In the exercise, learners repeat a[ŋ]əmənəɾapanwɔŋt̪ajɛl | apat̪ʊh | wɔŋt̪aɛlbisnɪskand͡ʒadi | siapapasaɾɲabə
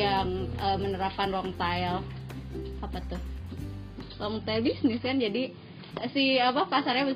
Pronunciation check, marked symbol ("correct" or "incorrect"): correct